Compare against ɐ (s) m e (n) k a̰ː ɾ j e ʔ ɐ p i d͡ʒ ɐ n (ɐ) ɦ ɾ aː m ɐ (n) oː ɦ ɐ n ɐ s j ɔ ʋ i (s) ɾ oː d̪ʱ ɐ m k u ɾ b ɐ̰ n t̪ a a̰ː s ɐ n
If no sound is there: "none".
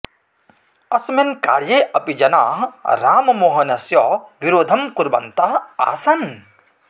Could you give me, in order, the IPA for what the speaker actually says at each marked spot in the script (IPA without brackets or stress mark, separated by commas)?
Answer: s, n, a, m, none